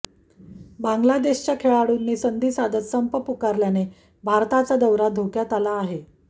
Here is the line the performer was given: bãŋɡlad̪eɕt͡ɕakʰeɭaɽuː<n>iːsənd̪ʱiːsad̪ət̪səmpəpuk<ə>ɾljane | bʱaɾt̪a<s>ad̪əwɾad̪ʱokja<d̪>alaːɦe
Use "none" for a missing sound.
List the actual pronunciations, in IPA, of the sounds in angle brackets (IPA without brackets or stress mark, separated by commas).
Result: nː, a, t͡s, t̪